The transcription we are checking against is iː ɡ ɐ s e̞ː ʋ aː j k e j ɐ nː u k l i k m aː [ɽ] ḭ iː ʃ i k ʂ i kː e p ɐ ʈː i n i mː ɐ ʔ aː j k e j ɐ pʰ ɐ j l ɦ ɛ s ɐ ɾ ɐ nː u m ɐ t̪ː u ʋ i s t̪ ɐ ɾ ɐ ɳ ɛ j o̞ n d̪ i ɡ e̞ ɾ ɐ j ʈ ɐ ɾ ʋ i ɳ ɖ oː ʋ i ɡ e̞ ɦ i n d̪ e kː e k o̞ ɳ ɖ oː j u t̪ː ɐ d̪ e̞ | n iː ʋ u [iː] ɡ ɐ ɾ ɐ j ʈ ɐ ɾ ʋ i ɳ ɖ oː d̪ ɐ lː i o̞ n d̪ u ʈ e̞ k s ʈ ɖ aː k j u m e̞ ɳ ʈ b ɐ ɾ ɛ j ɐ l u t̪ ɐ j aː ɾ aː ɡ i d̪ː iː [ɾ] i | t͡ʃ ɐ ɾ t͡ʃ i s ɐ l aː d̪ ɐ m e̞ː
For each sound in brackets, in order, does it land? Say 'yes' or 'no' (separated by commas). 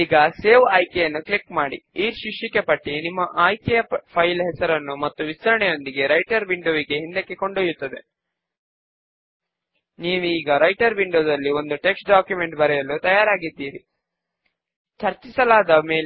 yes, yes, yes